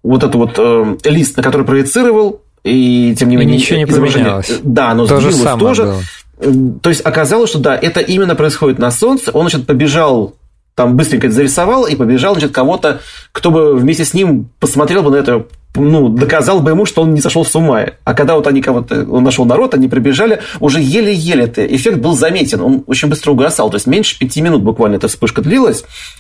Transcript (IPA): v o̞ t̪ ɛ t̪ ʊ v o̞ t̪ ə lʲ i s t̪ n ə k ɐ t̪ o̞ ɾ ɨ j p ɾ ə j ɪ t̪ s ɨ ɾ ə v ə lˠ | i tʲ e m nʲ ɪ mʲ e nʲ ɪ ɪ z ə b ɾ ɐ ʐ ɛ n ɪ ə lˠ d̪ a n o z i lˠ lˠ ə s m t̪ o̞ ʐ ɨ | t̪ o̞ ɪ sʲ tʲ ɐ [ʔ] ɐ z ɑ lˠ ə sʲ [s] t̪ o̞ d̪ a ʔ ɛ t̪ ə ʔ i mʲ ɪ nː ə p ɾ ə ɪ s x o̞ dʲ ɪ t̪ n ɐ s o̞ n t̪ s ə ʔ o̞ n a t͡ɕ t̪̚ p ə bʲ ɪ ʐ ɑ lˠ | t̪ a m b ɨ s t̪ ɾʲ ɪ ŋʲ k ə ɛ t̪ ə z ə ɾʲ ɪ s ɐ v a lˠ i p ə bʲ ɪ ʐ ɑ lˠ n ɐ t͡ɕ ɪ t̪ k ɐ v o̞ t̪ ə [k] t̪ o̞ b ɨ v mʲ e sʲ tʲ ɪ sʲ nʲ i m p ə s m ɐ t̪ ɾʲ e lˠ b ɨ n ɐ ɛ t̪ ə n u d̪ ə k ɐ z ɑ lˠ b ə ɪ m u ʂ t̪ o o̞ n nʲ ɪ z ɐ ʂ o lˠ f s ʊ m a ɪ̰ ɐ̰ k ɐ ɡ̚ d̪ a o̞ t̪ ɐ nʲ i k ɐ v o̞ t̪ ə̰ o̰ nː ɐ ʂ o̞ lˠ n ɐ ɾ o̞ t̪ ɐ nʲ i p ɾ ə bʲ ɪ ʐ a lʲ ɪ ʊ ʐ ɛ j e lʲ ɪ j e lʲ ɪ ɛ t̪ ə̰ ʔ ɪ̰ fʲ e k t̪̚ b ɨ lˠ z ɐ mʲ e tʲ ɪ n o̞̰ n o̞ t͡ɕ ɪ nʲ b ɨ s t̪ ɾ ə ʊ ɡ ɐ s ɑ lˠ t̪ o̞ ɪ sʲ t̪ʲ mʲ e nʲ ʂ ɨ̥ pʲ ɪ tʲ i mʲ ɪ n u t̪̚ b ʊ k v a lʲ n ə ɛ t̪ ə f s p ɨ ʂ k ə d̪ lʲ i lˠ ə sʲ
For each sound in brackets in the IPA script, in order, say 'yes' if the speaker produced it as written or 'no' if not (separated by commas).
no, no, yes